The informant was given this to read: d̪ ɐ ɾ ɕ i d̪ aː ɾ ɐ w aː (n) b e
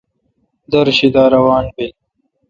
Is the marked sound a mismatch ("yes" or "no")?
no